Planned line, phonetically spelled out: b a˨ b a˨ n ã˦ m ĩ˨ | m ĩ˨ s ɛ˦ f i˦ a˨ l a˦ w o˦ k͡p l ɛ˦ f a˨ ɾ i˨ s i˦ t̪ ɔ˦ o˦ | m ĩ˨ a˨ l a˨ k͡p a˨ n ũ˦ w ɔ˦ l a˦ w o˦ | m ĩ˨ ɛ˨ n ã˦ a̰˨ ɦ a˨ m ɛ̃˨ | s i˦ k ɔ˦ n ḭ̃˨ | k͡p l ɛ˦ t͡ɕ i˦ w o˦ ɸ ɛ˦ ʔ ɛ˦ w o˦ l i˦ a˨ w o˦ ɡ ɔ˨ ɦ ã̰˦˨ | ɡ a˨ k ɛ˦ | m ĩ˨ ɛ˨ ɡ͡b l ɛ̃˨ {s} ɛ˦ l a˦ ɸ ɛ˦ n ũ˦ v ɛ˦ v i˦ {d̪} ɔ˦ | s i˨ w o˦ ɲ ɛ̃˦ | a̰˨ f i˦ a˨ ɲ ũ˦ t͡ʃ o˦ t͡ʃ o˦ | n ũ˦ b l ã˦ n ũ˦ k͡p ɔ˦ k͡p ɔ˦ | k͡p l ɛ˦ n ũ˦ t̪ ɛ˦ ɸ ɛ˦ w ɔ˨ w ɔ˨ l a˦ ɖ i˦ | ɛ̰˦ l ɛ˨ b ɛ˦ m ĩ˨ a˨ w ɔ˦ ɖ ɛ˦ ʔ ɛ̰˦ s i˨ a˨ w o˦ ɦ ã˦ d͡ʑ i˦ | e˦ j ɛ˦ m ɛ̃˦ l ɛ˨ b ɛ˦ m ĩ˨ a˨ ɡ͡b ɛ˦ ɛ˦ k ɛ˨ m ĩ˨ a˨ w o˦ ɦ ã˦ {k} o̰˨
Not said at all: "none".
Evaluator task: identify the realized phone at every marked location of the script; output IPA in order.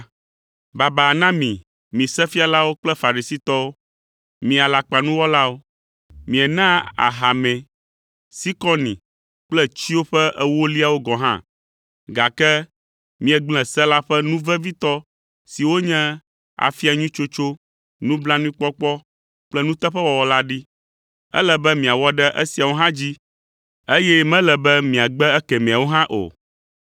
s, t̪, ʔ

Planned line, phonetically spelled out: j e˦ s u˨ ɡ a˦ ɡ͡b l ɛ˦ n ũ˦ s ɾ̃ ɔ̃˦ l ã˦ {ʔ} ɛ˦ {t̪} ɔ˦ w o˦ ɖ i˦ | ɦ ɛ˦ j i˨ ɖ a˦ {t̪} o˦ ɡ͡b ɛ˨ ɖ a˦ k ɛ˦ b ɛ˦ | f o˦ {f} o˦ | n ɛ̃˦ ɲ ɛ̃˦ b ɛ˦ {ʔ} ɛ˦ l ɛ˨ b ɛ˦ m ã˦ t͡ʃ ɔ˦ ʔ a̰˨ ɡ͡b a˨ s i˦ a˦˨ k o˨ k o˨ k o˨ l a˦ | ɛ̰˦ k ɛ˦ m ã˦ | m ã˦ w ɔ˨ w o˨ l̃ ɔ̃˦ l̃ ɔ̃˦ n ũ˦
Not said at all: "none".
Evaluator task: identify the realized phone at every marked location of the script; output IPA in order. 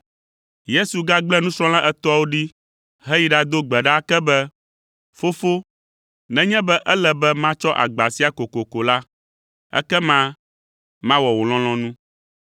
ʔ, t̪, d̪, f, ʔ

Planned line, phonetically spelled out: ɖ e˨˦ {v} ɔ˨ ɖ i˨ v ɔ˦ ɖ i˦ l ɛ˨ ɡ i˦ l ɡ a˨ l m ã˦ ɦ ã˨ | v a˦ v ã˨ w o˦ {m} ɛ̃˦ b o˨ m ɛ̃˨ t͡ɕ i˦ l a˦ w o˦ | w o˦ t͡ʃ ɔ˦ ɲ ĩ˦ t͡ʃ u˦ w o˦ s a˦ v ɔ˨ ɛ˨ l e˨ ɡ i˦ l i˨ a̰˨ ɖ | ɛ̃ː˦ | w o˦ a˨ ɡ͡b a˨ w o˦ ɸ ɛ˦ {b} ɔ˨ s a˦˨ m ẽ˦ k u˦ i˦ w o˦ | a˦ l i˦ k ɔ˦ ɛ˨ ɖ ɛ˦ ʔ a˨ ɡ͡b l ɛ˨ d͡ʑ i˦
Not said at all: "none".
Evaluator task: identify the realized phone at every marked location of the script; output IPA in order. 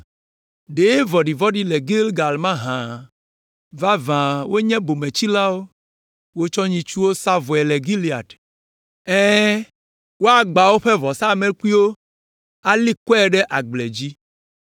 v, ɲ, v

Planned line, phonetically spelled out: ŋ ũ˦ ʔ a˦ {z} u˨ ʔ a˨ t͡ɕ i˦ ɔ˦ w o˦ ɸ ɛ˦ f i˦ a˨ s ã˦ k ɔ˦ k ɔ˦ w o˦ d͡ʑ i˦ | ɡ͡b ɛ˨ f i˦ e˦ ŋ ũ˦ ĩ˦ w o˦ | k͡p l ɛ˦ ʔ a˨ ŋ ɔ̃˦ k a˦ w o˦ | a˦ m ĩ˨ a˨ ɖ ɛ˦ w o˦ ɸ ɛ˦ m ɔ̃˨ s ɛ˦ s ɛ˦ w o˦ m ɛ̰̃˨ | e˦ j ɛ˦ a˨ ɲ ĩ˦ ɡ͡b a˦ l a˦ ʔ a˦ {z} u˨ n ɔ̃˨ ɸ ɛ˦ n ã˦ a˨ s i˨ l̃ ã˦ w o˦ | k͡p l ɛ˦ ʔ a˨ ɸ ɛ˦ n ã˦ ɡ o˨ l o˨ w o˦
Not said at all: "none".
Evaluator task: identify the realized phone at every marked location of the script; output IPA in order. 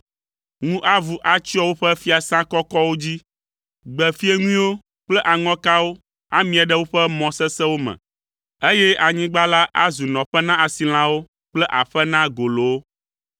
v, z

